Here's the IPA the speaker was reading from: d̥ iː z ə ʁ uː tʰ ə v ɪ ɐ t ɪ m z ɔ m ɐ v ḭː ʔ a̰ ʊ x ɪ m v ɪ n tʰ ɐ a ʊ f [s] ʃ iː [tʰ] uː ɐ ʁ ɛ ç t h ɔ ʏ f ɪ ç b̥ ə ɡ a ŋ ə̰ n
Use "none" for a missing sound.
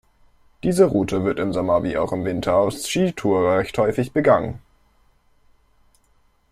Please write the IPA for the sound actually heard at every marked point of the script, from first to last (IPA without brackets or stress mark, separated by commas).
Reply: s, tʰ